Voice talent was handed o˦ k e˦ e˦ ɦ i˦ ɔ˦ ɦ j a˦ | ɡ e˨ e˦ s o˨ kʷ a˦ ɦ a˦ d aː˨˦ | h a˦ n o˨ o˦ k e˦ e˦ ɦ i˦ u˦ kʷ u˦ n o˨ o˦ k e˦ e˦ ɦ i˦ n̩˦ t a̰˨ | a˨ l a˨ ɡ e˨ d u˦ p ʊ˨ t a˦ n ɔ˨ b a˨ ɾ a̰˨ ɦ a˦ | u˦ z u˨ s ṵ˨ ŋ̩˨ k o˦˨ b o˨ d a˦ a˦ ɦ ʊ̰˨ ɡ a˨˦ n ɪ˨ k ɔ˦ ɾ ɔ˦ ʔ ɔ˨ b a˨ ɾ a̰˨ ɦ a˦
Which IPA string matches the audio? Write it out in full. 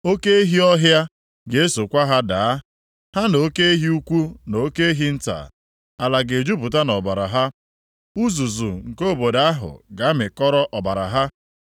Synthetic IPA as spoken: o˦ k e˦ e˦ ɦ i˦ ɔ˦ ɦ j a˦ | ɡ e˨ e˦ s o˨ kʷ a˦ ɦ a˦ d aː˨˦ | h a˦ n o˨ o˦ k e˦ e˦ ɦ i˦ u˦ kʷ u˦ n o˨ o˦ k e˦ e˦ ɦ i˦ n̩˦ t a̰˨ | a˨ l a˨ ɡ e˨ d͡ʒ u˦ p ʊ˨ t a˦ n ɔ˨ b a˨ ɾ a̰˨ ɦ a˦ | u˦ z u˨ z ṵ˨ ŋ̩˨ k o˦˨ b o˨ d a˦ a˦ ɦ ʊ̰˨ ɡ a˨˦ m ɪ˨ k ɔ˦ ɾ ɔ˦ ʔ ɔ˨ b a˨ ɾ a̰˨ ɦ a˦